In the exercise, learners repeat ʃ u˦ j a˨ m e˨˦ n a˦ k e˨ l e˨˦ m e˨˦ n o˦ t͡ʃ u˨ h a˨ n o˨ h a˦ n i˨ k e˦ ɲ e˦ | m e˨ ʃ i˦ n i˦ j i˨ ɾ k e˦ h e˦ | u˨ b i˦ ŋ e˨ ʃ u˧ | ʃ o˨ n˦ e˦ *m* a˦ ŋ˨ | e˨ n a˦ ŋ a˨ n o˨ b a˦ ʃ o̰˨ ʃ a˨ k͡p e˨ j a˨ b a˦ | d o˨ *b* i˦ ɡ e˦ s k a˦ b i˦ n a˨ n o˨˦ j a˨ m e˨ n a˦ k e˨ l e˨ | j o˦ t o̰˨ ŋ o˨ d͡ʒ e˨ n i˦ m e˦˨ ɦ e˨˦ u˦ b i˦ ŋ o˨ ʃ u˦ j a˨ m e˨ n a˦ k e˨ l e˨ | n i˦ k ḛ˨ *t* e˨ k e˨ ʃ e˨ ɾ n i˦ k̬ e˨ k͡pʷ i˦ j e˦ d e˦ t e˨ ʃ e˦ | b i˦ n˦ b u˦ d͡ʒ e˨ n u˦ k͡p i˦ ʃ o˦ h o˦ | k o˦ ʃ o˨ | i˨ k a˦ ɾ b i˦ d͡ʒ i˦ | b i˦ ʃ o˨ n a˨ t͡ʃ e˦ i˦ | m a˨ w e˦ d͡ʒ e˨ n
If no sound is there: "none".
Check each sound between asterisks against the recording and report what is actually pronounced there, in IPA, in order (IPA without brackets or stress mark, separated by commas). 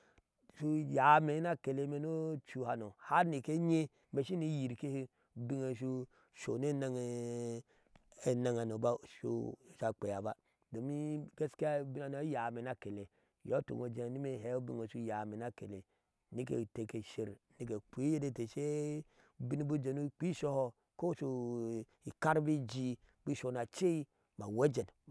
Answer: n, m, t